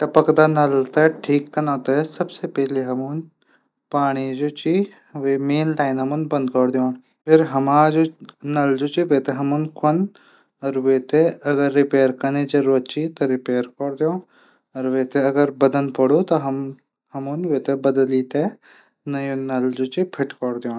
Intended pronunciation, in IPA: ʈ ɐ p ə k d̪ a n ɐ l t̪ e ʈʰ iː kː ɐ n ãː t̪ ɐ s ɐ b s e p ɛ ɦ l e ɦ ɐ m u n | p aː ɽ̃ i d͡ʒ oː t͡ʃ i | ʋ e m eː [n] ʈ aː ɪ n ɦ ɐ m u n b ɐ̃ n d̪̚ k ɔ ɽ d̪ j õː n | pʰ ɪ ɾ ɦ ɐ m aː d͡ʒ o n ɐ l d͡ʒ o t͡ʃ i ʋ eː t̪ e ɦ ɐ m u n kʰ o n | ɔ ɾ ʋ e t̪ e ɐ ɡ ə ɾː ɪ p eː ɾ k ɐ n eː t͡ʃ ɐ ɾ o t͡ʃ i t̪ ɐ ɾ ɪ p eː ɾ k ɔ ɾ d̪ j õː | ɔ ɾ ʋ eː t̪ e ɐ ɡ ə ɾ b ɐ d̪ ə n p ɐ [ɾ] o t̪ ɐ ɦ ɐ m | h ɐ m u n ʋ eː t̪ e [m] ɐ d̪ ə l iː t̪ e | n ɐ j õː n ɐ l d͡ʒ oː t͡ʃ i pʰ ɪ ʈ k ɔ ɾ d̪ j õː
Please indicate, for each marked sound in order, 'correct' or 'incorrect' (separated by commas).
correct, incorrect, incorrect